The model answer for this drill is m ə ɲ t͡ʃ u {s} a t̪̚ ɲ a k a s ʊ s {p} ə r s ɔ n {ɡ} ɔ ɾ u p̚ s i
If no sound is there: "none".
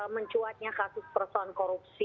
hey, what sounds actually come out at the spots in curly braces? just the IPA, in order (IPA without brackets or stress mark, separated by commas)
none, p, k